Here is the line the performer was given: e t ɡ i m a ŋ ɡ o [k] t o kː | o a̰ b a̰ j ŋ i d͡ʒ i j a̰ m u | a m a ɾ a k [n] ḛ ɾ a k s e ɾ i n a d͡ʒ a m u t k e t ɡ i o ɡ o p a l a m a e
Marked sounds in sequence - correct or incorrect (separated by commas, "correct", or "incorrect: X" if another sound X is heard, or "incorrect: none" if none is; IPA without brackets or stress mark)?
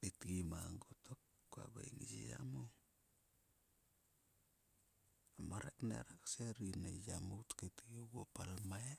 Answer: incorrect: none, correct